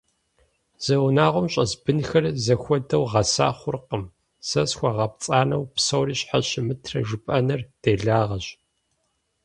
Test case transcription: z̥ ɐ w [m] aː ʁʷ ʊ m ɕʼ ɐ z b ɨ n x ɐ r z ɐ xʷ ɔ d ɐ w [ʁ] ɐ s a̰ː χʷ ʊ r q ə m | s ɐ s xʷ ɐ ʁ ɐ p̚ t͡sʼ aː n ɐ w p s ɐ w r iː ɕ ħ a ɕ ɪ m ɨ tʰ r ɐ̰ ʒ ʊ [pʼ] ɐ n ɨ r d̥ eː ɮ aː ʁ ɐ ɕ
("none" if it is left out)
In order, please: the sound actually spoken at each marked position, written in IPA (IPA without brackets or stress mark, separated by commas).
n, ʁ, pʼ